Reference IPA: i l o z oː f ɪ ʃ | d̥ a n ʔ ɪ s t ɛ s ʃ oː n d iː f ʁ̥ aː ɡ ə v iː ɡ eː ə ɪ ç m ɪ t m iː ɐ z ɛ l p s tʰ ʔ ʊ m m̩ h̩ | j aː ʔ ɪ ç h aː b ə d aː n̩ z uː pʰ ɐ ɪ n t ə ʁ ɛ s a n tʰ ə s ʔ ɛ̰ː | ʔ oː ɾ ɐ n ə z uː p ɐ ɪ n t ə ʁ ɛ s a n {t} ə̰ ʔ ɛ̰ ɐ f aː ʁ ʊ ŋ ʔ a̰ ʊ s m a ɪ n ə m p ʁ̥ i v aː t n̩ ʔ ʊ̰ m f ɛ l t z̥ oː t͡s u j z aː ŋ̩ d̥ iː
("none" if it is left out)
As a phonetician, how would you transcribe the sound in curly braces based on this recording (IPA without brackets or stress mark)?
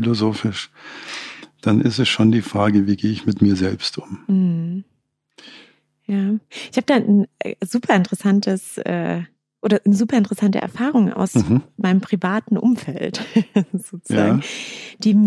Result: t